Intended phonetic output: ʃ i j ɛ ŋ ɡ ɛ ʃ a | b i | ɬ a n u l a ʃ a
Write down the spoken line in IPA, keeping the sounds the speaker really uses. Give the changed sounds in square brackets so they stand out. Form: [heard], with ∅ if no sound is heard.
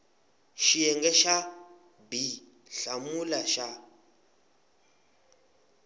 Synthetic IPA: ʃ i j ɛ ŋ ɡ ɛ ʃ a | b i | ɬ a [m] u l a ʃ a